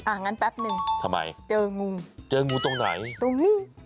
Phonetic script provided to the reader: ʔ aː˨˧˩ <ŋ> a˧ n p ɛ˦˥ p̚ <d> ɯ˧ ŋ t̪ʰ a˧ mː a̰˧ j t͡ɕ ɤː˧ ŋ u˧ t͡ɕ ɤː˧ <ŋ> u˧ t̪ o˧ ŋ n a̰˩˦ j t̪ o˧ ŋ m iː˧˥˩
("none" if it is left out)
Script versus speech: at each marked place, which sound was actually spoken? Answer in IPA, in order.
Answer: ŋ, n, ŋ

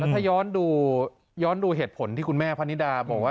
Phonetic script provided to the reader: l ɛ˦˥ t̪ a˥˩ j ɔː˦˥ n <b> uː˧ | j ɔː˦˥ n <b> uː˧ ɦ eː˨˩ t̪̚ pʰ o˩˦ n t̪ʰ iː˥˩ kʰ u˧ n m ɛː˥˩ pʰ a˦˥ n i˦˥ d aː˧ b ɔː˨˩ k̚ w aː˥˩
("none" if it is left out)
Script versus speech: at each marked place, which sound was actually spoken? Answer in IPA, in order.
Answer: d, d

